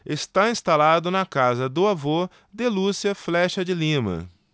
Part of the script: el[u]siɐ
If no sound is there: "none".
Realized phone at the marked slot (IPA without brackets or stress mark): u